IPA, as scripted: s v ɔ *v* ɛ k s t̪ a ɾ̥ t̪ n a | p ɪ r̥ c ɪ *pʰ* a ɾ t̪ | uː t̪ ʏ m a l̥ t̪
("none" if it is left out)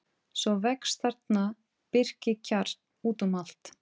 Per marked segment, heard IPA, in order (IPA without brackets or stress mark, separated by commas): v, cʰ